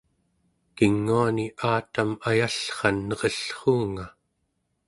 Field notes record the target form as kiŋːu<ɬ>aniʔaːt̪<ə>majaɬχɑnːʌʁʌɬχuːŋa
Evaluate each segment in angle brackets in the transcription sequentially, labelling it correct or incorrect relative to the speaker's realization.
incorrect: none, incorrect: a

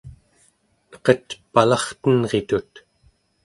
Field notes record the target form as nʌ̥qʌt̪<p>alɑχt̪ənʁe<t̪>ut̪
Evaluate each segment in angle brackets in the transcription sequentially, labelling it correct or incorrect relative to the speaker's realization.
correct, correct

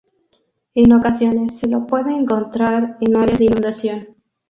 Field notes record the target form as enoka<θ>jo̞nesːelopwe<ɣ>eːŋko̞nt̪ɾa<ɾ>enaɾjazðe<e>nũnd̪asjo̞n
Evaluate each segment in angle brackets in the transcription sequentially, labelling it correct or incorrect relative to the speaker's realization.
incorrect: s, incorrect: ð, correct, incorrect: i

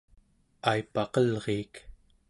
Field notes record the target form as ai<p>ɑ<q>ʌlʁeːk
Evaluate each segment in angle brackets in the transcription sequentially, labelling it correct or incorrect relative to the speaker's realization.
correct, correct

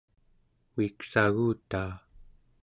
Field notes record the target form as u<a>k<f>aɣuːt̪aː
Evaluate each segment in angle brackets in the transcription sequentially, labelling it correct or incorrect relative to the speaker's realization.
incorrect: i, incorrect: s

